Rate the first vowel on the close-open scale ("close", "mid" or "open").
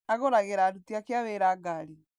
open